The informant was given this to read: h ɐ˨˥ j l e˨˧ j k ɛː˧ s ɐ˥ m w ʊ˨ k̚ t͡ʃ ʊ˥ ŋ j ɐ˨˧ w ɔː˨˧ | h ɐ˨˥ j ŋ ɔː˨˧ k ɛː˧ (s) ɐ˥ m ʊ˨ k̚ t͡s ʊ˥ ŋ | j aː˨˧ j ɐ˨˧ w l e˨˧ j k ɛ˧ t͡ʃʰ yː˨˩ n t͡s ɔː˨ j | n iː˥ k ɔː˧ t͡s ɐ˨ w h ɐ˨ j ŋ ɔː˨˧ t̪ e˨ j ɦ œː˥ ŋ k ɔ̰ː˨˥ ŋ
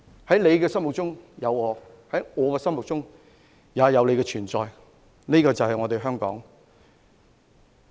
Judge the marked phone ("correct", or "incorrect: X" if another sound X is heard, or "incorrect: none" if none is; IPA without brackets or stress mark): correct